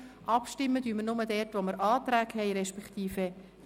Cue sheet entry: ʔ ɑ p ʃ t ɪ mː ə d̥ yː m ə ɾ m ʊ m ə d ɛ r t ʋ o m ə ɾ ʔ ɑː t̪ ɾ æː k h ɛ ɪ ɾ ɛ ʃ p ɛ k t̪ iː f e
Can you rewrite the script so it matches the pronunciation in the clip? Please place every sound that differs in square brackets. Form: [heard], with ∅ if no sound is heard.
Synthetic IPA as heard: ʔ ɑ p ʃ t ɪ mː ə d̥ yː m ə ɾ [n] ʊ m ə d ɛ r t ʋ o m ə ɾ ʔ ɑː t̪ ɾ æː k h ɛ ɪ ɾ ɛ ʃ p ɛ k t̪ iː f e